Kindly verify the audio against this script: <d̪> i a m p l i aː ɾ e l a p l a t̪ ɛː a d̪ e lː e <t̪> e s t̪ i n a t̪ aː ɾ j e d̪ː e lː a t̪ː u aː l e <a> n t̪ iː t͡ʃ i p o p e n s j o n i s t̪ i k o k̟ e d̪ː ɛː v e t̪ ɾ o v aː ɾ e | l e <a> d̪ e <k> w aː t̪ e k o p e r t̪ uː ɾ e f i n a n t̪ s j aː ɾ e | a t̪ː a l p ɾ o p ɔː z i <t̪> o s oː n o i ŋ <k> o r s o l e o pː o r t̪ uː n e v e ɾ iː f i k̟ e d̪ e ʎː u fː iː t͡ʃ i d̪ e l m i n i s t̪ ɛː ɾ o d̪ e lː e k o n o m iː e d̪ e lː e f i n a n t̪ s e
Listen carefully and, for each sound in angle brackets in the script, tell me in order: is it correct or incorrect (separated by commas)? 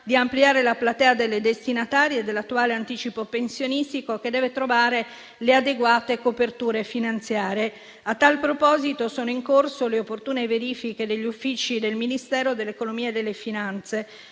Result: correct, incorrect, correct, correct, incorrect, correct, correct